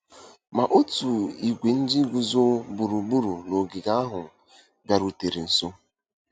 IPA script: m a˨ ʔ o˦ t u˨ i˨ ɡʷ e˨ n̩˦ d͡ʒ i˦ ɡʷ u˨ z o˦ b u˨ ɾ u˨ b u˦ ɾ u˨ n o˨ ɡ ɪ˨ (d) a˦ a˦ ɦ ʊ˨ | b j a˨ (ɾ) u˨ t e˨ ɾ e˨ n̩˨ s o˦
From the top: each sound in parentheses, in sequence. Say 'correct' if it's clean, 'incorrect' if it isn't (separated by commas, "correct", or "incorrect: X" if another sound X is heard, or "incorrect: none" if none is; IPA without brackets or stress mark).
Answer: incorrect: ɡ, correct